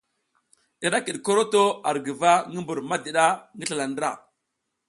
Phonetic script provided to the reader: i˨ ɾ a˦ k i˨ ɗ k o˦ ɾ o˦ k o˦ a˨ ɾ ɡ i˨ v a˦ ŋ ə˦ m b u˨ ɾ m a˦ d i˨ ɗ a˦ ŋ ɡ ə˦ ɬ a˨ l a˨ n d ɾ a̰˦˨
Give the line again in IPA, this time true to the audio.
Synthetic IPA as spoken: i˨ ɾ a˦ k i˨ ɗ k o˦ ɾ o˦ t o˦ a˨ ɾ ɡ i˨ v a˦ ŋ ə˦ m b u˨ ɾ m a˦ d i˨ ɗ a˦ ŋ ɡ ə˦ ɬ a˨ l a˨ n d ɾ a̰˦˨